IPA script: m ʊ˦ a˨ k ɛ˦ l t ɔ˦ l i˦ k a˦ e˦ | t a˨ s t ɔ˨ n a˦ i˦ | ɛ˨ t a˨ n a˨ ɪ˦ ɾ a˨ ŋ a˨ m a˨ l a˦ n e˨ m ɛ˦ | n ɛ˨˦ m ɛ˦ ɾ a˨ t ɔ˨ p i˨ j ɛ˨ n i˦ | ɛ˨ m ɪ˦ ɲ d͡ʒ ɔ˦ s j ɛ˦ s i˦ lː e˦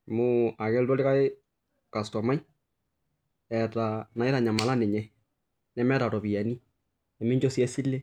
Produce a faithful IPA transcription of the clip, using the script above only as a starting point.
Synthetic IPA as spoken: m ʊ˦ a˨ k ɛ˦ l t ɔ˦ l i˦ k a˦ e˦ | k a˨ s t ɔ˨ m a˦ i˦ | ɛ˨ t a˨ n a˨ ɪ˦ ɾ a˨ ɲ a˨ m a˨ l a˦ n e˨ ɲ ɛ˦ | n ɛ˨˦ m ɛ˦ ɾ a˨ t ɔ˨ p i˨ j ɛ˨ n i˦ | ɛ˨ m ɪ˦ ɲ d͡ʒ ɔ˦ s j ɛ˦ s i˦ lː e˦